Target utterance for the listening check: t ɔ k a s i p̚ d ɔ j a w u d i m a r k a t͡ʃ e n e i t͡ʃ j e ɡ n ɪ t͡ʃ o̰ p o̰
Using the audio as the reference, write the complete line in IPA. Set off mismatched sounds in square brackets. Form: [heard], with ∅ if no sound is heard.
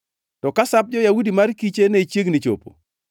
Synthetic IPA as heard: t ɔ k a s [a] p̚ [d͡ʒ] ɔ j a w u d i m a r k [i] t͡ʃ e n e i t͡ʃ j e ɡ n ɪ t͡ʃ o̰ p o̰